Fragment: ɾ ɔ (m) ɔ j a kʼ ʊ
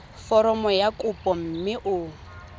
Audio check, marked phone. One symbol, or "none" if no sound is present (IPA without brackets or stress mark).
m